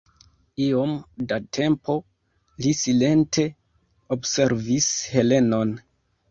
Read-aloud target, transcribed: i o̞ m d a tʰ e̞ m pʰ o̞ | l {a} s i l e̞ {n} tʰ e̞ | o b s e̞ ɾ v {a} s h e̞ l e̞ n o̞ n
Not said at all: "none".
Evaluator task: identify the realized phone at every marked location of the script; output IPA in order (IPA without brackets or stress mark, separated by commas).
i, n, i